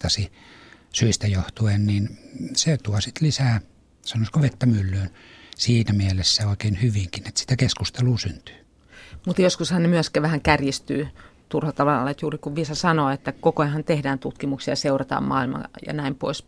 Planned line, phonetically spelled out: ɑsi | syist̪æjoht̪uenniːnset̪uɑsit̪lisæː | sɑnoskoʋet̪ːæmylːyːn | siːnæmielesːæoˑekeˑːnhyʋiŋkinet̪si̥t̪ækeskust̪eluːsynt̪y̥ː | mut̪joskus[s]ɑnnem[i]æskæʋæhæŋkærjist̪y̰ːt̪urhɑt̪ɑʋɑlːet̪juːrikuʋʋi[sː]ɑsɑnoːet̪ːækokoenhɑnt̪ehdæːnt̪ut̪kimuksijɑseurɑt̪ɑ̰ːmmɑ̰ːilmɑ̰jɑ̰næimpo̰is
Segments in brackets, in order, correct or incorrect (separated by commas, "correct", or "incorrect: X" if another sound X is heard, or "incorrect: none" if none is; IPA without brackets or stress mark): incorrect: h, incorrect: y, incorrect: s